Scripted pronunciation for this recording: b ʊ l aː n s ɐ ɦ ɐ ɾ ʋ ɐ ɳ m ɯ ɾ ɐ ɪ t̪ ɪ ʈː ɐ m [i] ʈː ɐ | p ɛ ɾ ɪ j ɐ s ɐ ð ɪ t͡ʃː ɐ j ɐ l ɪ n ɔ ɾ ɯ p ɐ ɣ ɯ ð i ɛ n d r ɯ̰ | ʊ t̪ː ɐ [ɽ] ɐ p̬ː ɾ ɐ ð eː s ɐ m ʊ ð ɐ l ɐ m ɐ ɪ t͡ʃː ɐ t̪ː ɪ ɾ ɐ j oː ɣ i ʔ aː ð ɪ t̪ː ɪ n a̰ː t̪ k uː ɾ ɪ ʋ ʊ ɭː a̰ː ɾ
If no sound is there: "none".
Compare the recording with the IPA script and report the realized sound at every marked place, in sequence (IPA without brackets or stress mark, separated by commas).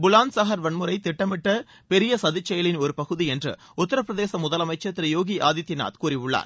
ɪ, ɾ